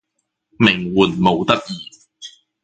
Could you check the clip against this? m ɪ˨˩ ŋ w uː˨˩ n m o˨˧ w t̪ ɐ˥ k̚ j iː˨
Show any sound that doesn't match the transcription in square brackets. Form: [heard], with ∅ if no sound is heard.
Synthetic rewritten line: m ɪ˨˩ ŋ w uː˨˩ n m o˨˧ w t̪ ɐ˥ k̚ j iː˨